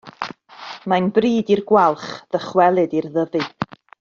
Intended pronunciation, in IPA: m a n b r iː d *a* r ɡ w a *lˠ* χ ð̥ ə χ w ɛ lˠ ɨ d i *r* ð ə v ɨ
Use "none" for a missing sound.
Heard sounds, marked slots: i, lˠ, r

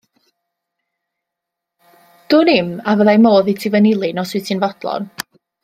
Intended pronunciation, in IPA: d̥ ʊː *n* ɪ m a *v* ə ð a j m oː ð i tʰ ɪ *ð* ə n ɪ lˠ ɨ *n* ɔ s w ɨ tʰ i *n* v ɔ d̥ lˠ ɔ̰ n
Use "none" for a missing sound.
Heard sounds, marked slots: n, v, v, n, n

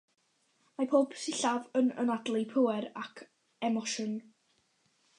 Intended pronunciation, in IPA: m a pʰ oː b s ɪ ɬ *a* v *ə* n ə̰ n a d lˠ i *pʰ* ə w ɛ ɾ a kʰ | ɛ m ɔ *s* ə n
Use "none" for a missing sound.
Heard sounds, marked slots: a, ə, pʰ, ʃ

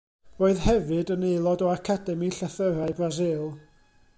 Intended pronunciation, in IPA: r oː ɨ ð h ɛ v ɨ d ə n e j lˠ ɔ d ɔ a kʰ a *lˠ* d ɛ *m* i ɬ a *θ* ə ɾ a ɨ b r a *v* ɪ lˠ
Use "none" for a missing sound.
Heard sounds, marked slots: none, m, θ, z

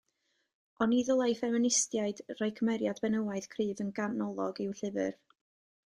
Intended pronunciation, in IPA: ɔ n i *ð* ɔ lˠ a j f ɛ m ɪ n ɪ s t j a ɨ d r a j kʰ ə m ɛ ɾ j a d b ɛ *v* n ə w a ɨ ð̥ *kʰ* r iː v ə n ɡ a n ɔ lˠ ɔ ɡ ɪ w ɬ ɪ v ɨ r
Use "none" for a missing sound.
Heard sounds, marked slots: ð, none, kʰ

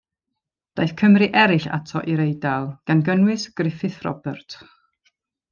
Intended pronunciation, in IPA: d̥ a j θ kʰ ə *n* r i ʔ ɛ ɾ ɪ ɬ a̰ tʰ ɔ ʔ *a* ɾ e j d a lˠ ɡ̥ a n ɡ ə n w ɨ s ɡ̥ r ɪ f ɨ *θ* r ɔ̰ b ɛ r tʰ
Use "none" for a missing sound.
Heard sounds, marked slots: m, i, θ

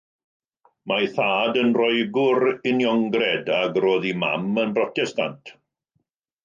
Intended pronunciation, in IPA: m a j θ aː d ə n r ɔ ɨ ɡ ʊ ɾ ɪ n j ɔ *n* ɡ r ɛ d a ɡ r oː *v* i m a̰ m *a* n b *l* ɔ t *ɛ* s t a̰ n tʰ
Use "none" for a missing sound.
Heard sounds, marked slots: ŋ, ð, ə, r, ɛ

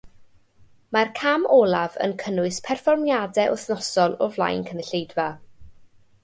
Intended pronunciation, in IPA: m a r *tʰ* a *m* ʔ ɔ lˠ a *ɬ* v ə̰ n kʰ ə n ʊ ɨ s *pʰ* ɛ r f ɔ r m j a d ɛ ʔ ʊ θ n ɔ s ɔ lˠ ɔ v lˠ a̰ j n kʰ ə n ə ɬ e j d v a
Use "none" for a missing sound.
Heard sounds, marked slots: kʰ, m, none, pʰ

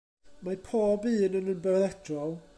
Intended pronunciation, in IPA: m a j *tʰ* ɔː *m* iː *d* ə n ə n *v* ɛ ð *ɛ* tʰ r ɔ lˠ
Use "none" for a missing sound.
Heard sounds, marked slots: pʰ, b, n, b, ɛ

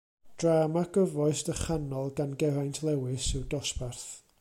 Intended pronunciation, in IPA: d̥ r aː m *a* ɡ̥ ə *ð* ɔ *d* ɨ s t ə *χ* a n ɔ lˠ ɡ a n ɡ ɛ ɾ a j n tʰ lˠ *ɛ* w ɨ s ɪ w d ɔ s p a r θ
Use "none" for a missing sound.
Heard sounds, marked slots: a, v, none, χ, ɛ

